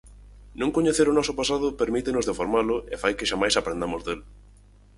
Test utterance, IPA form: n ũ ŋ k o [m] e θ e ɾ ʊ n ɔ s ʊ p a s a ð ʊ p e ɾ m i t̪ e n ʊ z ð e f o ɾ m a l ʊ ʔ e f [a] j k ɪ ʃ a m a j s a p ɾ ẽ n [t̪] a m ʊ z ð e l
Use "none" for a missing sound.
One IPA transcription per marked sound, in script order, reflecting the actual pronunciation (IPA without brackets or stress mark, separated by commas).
ɲ, a, d̪